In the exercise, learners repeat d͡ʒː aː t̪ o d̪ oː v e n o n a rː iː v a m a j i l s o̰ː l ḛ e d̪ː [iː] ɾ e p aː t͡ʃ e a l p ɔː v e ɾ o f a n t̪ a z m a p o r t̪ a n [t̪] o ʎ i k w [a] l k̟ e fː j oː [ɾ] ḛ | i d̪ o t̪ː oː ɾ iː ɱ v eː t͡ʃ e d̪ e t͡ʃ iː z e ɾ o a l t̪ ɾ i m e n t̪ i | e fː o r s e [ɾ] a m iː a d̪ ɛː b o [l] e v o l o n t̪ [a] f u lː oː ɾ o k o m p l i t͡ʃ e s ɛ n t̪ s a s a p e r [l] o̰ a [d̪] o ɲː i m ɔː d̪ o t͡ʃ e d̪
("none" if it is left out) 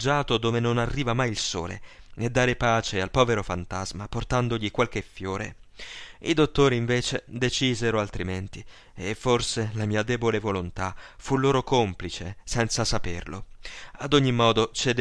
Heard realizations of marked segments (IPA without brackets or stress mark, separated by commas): aː, d̪, a, ɾ, l, l, a, l, d̪